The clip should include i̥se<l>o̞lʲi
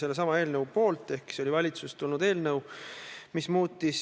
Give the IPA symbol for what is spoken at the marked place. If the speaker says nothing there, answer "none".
none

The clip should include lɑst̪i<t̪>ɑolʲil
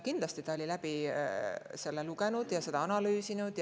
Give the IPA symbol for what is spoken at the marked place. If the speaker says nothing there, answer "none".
t̪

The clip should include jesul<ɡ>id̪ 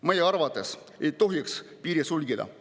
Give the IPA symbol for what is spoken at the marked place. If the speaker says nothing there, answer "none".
ɡ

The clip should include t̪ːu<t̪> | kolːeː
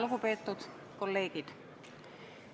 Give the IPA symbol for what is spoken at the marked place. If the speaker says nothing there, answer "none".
t̪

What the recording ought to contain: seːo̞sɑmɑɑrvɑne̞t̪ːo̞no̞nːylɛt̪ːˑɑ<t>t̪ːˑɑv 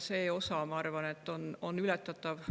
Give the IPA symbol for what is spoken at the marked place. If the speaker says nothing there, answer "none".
t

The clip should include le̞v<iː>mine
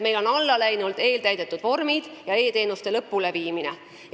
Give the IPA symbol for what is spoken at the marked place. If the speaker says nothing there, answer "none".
iː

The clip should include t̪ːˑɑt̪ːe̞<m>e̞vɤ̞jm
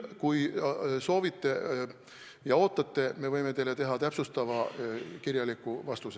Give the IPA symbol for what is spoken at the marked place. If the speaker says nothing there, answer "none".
m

